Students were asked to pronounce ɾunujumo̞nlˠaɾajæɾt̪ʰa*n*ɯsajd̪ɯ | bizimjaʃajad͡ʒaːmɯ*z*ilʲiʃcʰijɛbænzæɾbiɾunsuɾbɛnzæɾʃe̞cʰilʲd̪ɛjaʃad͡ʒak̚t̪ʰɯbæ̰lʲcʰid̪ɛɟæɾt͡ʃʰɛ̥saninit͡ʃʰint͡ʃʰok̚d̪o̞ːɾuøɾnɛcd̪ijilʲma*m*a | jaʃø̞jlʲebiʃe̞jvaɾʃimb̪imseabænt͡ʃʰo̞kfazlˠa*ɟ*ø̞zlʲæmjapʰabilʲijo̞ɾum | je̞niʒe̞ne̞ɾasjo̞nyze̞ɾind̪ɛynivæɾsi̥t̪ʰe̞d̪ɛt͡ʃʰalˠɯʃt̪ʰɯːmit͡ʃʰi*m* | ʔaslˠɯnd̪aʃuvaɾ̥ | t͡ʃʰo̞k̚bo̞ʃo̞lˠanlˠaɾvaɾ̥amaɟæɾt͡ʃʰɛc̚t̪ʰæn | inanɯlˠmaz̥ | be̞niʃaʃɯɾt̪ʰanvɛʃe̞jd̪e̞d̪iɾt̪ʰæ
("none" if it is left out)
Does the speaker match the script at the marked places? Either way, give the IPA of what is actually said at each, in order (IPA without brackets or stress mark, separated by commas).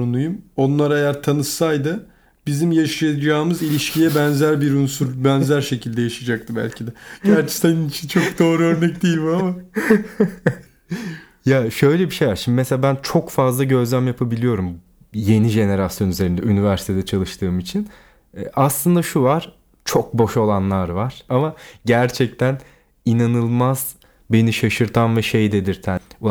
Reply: n, z, m, ɟ, n